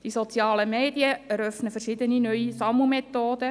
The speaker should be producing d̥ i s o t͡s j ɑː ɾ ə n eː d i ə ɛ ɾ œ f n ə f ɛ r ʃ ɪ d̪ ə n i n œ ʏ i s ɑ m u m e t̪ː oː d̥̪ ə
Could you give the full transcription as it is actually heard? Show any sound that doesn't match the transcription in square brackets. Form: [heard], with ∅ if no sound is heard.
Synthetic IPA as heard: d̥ i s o t͡s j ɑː [l] ə [m] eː d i ə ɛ ɾ œ f n ə f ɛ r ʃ ɪ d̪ ə n i n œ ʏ i s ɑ m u m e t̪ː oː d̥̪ ə